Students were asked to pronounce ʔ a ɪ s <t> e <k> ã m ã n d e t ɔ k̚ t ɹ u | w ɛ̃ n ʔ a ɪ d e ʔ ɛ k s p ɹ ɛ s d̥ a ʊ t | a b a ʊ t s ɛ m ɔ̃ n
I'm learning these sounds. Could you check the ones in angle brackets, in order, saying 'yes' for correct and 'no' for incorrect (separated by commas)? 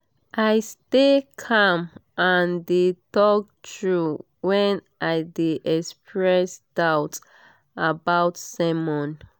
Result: yes, no